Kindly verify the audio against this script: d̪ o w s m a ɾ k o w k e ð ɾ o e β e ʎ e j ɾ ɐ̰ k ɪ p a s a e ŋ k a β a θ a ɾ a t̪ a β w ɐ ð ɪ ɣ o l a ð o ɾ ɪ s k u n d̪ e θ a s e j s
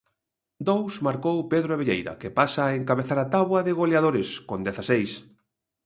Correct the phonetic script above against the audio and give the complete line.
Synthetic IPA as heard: d̪ o w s m a ɾ k o w p e ð ɾ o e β e ʎ e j ɾ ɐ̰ k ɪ p a s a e ŋ k a β e θ a ɾ a t̪ a β w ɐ ð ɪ ɣ o l a ð o ɾ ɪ s k o n d̪ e θ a s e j s